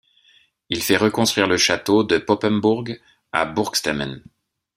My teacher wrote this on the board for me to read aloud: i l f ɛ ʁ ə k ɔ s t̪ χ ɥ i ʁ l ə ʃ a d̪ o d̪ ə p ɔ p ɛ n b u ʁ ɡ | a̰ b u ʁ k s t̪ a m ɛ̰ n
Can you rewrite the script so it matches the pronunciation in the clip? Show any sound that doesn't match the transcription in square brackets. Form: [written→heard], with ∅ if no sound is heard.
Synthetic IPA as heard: i l f ɛ ʁ ə k [ɔ→ɔ̃] s t̪ χ ɥ i ʁ l ə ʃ a [d̪→t̪] o d̪ ə p ɔ p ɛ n b u ʁ ɡ | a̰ b u ʁ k s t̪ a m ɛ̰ n